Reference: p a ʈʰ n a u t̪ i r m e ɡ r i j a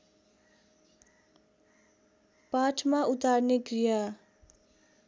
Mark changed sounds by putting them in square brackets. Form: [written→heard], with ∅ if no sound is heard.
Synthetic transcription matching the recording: p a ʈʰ [n→m] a u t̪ [i→a] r [m→n] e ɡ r i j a